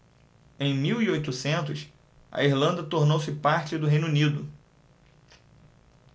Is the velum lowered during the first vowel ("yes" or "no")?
yes